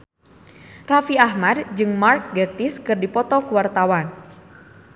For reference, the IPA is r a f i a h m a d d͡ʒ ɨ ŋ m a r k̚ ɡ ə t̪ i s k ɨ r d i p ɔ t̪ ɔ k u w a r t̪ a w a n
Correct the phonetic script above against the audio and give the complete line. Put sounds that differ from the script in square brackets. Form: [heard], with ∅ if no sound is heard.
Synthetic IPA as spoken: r a f i a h m a d d͡ʒ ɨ ŋ m a r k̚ ɡ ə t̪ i s k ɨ r d i p ɔ t̪ ɔ k u w a r t̪ a w a n